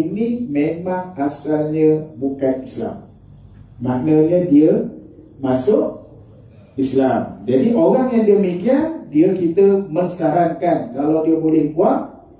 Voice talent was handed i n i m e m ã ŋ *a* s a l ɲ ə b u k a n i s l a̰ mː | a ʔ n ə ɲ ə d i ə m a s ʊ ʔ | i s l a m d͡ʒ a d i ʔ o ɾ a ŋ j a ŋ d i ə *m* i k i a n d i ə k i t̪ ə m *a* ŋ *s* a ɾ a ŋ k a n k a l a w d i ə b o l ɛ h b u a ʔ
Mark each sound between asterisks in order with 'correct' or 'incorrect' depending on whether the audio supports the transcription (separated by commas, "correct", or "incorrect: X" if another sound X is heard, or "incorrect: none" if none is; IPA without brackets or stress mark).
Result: correct, correct, incorrect: ə, correct